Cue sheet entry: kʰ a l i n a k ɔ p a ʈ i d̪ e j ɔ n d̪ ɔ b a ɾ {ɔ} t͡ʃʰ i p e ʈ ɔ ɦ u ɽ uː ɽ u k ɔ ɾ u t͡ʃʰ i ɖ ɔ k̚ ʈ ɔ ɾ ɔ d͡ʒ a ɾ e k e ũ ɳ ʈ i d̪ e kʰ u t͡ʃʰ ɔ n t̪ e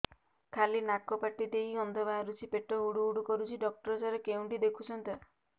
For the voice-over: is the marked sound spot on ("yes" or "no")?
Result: no